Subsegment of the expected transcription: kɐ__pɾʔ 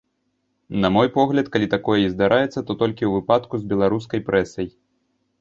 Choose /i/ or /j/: j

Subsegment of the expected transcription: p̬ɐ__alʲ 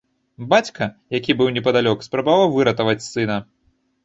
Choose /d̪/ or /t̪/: d̪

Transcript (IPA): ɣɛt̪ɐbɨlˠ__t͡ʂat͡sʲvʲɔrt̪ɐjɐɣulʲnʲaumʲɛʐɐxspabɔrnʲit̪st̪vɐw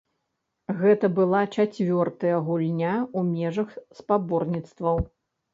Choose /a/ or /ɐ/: a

